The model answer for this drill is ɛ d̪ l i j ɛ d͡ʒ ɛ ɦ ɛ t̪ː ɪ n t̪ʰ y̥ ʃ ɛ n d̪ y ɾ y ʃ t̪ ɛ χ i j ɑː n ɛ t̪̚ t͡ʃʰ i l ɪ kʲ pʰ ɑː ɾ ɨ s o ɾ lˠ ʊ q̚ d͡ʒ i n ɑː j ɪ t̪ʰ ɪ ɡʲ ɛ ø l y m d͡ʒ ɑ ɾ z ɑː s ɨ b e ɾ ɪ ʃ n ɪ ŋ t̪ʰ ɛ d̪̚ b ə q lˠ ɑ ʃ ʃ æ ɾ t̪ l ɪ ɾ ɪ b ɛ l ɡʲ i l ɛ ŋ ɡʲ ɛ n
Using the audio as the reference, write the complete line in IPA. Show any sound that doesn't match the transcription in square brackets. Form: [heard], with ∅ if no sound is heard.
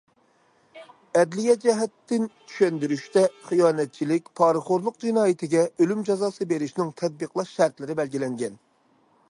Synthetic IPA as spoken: ɛ d̪ l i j ɛ d͡ʒ ɛ ɦ ɛ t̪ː ɪ n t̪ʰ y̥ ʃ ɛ n d̪ y ɾ y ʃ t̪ ɛ χ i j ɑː n ɛ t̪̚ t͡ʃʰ i l ɪ kʲ pʰ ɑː ɾ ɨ [χ] o ɾ lˠ ʊ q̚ d͡ʒ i n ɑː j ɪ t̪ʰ ɪ ɡʲ ɛ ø l y m d͡ʒ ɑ [∅] z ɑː s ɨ b e ɾ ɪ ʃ n ɪ ŋ t̪ʰ ɛ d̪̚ b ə q lˠ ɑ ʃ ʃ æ ɾ t̪ l ɪ ɾ ɪ b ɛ l ɡʲ i l ɛ ŋ ɡʲ ɛ n